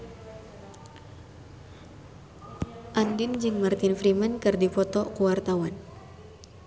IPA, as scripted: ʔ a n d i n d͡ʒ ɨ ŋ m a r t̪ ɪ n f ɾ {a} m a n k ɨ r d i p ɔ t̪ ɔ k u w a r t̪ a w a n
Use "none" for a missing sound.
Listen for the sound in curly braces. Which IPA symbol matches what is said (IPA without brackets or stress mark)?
i